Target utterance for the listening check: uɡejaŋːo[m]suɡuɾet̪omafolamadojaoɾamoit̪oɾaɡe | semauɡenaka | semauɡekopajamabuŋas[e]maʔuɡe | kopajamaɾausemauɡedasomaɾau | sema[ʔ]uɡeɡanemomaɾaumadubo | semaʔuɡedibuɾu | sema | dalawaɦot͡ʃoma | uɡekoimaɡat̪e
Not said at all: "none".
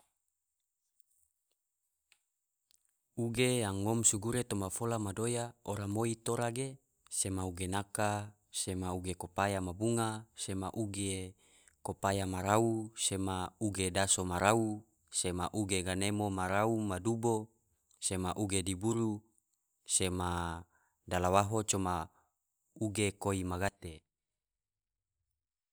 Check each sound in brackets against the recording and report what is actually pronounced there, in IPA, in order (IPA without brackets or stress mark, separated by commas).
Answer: m, e, ʔ